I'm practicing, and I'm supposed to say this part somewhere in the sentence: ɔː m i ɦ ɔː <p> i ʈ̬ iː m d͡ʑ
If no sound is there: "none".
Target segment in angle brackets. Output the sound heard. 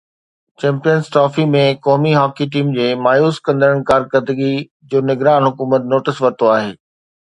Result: k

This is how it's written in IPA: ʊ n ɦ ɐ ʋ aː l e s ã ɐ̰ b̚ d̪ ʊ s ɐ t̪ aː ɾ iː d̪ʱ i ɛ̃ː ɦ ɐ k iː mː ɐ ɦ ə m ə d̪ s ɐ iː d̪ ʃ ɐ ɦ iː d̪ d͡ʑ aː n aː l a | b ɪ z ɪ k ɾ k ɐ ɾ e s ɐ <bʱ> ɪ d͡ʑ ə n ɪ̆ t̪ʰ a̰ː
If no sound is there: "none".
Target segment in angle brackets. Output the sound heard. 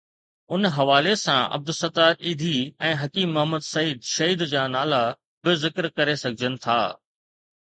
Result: ɡʱ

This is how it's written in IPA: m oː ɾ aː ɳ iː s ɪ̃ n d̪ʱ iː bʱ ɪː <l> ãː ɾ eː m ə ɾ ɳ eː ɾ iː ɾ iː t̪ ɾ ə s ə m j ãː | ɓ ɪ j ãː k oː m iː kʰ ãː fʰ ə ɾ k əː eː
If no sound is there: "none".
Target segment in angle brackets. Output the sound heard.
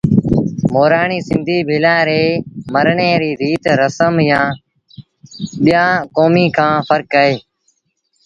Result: l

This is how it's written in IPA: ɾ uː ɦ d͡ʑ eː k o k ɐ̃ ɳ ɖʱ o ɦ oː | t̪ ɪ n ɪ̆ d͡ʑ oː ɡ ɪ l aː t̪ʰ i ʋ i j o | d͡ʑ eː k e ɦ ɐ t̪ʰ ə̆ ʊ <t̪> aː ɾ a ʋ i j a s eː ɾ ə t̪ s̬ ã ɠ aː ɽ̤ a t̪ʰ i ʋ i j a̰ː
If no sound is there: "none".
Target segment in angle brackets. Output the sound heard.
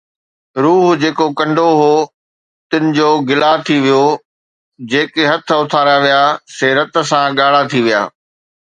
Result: t̪ʰ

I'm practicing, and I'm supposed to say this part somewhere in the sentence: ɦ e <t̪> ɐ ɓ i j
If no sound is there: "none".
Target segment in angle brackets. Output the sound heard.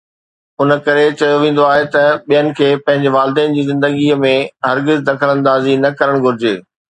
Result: t̪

